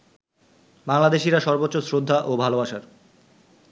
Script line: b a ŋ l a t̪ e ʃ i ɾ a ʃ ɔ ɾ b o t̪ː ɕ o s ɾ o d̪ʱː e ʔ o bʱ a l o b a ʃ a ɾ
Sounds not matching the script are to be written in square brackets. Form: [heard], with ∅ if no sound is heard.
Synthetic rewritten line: b a ŋ l a [d̪] e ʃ i ɾ a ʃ ɔ ɾ b o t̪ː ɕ o s ɾ o d̪ʱː [a] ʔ o bʱ a l o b a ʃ a ɾ